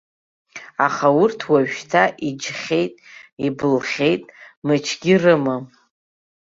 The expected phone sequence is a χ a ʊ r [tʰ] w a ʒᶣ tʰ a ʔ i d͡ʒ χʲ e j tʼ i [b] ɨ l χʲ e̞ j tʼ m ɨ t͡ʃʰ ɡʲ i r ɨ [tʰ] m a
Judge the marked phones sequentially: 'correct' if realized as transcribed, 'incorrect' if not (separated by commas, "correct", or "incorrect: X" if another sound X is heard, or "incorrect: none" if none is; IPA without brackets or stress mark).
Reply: correct, correct, incorrect: none